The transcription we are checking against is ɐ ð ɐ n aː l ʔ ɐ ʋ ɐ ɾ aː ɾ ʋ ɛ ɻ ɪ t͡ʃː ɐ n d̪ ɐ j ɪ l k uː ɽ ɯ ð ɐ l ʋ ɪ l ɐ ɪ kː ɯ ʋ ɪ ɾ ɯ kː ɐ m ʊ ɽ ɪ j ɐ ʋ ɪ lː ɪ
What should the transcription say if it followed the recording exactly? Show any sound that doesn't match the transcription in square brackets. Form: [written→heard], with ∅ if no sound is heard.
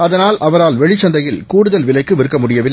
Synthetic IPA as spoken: ɐ ð ɐ n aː l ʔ ɐ ʋ ɐ ɾ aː [ɾ→l] ʋ ɛ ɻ ɪ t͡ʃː ɐ n d̪ ɐ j ɪ l k uː ɽ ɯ ð ɐ l ʋ ɪ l ɐ ɪ kː ɯ ʋ ɪ ɾ ɯ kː ɐ m ʊ ɽ ɪ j ɐ ʋ ɪ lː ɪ